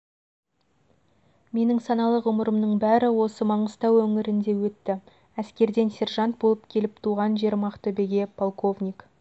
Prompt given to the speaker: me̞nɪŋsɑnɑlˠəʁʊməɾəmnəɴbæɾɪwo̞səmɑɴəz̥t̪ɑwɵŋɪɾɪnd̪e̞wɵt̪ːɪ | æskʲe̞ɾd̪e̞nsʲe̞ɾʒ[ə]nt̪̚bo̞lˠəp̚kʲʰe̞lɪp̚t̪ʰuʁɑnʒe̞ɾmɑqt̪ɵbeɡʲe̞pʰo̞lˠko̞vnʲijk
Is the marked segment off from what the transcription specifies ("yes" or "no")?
yes